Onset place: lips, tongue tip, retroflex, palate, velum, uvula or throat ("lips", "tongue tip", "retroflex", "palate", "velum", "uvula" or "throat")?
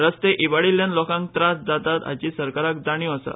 tongue tip